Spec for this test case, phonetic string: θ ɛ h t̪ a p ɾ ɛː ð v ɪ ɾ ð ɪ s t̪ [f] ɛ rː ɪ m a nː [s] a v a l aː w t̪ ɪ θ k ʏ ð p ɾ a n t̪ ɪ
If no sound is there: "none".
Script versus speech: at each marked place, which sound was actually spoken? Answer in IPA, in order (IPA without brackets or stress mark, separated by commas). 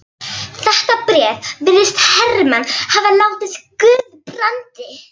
h, h